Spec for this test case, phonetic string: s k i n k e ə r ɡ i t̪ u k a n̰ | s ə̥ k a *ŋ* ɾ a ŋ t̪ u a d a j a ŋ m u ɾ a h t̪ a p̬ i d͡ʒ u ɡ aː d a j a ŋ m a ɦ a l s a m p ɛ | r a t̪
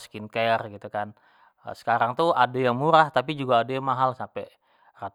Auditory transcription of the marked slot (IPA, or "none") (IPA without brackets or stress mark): none